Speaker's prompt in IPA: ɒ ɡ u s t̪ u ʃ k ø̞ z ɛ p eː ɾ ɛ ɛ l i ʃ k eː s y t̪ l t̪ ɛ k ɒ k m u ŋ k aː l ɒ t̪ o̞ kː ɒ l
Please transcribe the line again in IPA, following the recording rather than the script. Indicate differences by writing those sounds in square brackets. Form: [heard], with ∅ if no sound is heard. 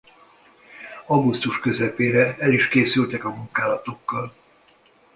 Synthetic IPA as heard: ɒ ɡ u s t̪ u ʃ k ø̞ z ɛ p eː ɾ ɛ ɛ l i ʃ k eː s y [∅] l t̪ ɛ k ɒ [∅] m u ŋ k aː l ɒ t̪ o̞ kː ɒ l